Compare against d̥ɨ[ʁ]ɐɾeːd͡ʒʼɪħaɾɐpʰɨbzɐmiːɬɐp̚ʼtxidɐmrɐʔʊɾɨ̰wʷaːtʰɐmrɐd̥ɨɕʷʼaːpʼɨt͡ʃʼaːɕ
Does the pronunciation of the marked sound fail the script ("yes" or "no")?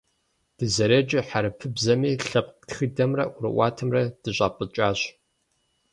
yes